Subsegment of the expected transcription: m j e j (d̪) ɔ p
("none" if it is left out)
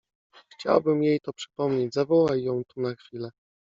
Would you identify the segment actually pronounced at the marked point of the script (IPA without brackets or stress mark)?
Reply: t̪